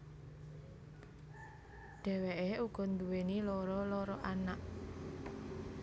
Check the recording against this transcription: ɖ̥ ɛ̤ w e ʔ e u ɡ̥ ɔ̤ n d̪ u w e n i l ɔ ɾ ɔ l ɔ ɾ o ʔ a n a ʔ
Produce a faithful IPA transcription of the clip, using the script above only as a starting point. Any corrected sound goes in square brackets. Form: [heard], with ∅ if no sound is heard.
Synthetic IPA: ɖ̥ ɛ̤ w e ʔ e u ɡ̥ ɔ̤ n d̪ u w e n i l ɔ ɾ ɔ l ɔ ɾ [ɔ] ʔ a n a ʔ